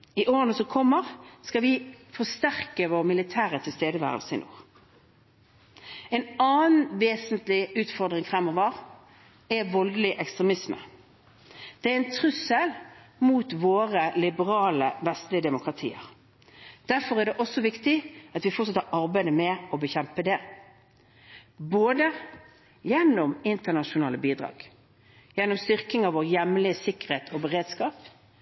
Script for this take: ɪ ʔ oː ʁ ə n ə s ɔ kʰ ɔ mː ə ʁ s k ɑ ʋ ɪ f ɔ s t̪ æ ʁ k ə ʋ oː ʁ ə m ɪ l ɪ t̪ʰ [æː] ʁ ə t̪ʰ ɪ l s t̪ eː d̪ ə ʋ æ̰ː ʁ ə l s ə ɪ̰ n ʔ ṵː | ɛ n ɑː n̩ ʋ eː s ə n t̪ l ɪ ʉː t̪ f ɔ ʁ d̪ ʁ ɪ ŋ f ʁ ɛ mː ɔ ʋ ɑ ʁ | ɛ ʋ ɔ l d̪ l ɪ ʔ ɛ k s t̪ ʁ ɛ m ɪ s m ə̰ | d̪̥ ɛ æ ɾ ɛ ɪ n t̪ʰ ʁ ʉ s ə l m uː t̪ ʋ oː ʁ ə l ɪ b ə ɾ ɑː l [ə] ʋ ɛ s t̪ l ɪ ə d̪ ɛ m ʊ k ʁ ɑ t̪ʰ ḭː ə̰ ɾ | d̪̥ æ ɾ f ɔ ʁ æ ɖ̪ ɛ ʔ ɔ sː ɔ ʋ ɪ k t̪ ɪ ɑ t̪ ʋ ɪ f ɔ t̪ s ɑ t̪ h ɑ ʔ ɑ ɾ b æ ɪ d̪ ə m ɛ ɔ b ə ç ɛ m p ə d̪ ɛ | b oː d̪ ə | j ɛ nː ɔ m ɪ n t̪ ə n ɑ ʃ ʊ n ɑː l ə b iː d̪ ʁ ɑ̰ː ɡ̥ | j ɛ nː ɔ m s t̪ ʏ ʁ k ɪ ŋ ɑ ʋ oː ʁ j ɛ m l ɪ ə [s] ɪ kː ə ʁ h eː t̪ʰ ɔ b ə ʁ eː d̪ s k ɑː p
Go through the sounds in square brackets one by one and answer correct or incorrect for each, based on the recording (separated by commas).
correct, correct, correct